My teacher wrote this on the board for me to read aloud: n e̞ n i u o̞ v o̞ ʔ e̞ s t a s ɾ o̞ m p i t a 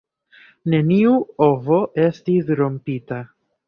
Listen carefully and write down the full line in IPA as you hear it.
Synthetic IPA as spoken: n e̞ n i u o̞ v o̞ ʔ e̞ s t i s ɾ o̞ m p i t a